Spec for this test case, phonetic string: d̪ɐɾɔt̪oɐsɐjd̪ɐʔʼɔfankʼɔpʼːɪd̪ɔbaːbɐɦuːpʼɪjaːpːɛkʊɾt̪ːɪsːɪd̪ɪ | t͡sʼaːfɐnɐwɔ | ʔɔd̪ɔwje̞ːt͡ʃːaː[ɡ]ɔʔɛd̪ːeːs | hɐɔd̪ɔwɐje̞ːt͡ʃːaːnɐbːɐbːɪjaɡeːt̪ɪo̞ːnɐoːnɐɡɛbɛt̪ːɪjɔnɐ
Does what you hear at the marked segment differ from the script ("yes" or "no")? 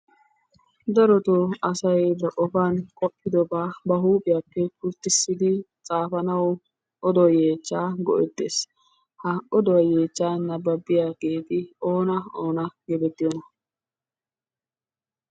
no